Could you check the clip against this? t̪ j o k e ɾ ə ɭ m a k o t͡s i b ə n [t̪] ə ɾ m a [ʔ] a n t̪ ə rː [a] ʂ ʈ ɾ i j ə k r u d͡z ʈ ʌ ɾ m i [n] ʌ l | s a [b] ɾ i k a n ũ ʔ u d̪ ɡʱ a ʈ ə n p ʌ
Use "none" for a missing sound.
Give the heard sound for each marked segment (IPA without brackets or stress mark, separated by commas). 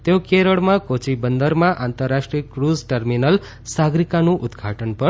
d̪, ʔ, a, n, ɡ